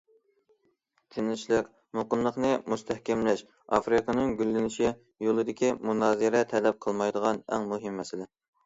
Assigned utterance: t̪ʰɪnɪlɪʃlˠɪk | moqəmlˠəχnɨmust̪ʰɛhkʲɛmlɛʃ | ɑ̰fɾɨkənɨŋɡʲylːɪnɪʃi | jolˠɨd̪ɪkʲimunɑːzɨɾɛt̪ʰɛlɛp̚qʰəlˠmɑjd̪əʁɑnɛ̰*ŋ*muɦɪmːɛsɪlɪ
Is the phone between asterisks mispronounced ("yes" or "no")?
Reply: no